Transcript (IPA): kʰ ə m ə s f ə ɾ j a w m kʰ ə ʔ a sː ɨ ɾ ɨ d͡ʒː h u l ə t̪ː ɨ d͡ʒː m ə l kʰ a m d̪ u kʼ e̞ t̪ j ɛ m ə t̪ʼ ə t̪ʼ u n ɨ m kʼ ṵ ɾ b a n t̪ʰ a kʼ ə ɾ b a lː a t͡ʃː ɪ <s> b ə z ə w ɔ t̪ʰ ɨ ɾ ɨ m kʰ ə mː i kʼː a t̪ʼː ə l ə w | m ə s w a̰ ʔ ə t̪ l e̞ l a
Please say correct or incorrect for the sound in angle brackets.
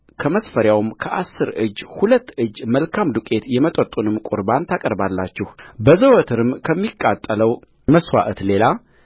incorrect